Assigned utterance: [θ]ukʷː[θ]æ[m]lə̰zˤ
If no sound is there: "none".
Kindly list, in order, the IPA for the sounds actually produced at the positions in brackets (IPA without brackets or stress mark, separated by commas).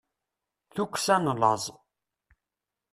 θ, s, n